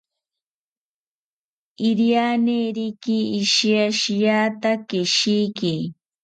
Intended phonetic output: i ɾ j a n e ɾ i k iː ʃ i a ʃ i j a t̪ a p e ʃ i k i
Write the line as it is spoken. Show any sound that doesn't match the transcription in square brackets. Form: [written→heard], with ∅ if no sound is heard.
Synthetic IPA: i ɾ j a n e ɾ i k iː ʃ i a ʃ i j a t̪ a [p→k] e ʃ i k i

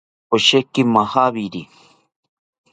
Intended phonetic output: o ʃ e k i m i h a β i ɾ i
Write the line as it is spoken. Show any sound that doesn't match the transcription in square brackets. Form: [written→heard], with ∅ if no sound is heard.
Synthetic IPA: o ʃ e k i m [i→a] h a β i ɾ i

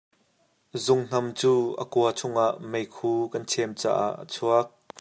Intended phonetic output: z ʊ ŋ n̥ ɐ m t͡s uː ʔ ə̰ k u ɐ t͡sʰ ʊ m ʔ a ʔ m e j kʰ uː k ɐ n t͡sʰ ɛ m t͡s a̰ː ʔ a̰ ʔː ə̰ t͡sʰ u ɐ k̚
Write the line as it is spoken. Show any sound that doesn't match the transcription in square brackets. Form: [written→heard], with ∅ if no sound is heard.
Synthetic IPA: z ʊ ŋ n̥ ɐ m t͡s uː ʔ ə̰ k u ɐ t͡sʰ ʊ [m→ŋ] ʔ a ʔ m e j kʰ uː k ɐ n t͡sʰ ɛ m t͡s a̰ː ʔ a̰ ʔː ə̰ t͡sʰ u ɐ k̚

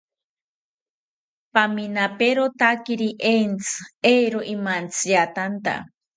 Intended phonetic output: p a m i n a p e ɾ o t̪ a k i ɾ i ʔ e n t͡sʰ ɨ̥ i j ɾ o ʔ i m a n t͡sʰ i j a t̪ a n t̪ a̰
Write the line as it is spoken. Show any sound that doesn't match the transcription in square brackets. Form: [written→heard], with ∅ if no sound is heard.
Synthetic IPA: p a m i n a p e ɾ o t̪ a k i ɾ i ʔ e n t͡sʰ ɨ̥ [i→e] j ɾ o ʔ i m a n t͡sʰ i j a t̪ a n t̪ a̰

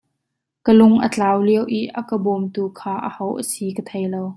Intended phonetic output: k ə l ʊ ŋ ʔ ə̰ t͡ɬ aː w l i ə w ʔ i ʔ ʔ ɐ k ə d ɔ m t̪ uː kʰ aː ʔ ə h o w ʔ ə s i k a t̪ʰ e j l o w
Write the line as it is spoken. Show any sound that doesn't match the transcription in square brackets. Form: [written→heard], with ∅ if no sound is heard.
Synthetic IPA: k ə l ʊ ŋ ʔ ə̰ t͡ɬ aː w l i ə w ʔ i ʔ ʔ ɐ k ə [d→b] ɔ m t̪ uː kʰ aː ʔ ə h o w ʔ ə s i k [a→ə] t̪ʰ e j l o w

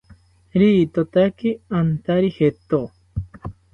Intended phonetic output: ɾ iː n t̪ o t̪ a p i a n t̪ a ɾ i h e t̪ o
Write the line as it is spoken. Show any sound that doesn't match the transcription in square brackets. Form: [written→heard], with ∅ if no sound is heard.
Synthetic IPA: ɾ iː [n→∅] t̪ o t̪ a [p→k] i a n t̪ a ɾ i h e t̪ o

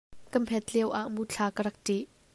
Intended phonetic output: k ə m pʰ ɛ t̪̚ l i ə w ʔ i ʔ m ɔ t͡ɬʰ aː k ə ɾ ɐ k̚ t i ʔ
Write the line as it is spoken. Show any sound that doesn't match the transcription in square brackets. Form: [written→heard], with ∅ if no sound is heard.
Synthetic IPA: k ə m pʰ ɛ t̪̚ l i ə w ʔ [i→a] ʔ m [ɔ→u] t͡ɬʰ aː k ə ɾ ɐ k̚ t i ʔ

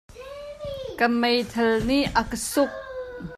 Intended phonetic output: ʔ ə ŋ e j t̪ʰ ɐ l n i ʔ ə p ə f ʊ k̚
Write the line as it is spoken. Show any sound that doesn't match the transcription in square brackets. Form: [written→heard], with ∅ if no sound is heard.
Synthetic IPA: [ʔ→k] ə [ŋ→m] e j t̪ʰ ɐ l n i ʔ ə [p→k] ə [f→s] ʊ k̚

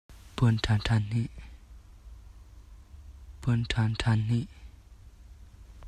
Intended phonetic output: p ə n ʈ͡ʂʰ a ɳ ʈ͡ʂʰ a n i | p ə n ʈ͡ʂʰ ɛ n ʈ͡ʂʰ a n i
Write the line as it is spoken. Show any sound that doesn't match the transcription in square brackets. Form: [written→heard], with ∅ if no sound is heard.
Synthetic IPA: p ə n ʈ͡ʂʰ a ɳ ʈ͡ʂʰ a n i | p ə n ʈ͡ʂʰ [ɛ→a] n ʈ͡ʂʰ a n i

